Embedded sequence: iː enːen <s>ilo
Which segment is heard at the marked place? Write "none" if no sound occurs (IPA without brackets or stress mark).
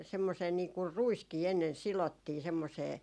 s